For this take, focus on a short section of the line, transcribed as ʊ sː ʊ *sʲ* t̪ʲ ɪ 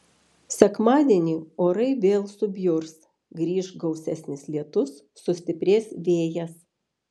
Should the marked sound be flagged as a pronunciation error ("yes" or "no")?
no